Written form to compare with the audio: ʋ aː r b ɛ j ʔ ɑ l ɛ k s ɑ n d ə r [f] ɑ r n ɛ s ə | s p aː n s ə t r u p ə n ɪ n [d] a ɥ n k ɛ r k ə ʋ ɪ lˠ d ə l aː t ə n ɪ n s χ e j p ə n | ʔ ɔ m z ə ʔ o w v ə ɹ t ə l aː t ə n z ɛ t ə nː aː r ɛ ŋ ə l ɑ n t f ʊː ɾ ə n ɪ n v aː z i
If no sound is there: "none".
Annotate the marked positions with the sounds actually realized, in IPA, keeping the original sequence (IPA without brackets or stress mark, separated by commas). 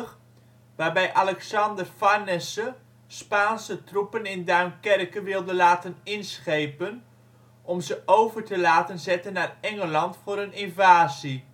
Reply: f, d